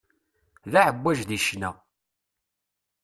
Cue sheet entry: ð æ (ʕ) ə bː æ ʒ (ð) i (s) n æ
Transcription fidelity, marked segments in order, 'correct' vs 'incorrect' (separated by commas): correct, correct, incorrect